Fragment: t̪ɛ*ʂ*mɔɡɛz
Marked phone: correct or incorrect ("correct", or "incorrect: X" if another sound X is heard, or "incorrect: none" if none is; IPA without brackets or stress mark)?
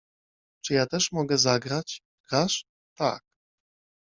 correct